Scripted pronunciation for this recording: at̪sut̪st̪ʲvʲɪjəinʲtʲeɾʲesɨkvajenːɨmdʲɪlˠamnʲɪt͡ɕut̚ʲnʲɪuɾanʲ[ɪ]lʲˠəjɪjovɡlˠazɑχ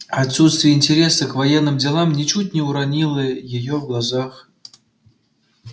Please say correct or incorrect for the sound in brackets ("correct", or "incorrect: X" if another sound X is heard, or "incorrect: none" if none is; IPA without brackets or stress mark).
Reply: incorrect: i